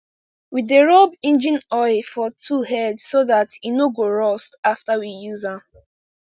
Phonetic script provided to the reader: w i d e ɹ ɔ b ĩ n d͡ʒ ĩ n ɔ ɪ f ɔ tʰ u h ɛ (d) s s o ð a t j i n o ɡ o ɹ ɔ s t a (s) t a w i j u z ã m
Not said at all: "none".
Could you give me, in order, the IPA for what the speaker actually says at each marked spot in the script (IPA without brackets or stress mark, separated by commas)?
d, f